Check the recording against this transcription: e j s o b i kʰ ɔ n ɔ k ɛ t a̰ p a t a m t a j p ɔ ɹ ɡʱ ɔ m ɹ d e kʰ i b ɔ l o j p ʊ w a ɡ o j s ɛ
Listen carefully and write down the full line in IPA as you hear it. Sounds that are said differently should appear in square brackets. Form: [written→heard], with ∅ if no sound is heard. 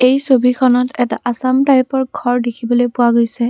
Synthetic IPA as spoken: e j s o b i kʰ ɔ n ɔ [k→t] ɛ t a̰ [p→ʔ] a [t→s] a m t a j p ɔ ɹ ɡʱ ɔ [m→∅] ɹ d e kʰ i b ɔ l o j p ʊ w a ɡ o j s ɛ